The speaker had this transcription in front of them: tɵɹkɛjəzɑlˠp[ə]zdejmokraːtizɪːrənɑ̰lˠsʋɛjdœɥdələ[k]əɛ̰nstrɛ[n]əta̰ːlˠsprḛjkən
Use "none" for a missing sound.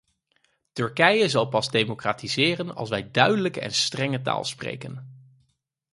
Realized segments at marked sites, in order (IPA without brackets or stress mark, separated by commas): ɑ, k, ŋ